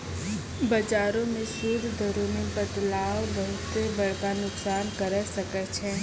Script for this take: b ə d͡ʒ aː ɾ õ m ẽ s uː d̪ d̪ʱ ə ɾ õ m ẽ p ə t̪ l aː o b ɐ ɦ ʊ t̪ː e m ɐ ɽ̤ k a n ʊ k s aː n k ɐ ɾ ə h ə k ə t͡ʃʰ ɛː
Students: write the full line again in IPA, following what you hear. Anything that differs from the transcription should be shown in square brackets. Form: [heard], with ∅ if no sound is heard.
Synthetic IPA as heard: b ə d͡ʒ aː ɾ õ m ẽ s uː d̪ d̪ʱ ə ɾ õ m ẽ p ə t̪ l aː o b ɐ ɦ ʊ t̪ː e [b] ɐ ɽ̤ k a n ʊ k s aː n k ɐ ɾ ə [s] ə k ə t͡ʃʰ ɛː